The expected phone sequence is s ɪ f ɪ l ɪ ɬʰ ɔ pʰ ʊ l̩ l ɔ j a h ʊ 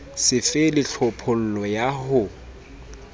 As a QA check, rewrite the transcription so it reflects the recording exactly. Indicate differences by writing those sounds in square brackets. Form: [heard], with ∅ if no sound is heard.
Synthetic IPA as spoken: s ɪ f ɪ l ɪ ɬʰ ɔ pʰ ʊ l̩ l ɔ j a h ʊ